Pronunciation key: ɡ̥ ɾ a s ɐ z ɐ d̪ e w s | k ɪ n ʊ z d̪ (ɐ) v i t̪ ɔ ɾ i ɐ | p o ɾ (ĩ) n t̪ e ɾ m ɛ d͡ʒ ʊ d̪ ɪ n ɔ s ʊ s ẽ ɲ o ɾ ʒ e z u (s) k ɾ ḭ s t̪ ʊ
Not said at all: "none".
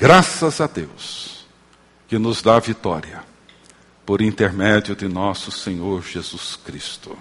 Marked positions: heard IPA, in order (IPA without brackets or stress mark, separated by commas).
a, ĩ, s